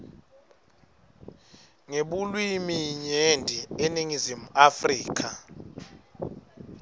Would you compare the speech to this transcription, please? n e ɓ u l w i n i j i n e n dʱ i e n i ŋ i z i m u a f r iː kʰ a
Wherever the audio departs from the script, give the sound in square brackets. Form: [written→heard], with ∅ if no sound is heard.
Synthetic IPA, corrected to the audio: [n→ŋ] e ɓ u l w i [n→m] i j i [n→ɲ] e n dʱ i e n i ŋ i z i m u a f r iː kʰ a